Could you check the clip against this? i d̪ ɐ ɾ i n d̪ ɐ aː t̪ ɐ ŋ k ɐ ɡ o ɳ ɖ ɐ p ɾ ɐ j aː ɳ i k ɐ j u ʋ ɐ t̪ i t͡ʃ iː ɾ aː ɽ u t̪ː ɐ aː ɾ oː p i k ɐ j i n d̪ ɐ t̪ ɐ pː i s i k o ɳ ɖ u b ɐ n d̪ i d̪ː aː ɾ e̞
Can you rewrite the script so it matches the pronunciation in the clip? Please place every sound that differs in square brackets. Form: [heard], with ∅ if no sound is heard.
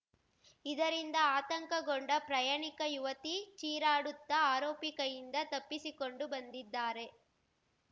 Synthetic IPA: i d̪ ɐ ɾ i n d̪ ɐ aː t̪ ɐ ŋ k ɐ ɡ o ɳ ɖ ɐ p ɾ ɐ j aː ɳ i k ɐ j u ʋ ɐ t̪ i t͡ʃ iː ɾ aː ɽ u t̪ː ɐ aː ɾ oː p i k ɐ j i n d̪ ɐ t̪ ɐ pː i s i k o ɳ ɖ u b ɐ n d̪ i d̪ː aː ɾ e̞